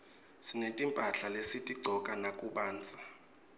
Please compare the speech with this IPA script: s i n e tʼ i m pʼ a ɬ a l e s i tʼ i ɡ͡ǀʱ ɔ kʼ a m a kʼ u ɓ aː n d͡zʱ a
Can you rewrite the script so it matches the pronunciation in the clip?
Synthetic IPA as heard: s i n e tʼ i m pʼ a ɬ a l e s i tʼ i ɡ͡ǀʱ ɔ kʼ a n a kʼ u ɓ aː n d͡zʱ a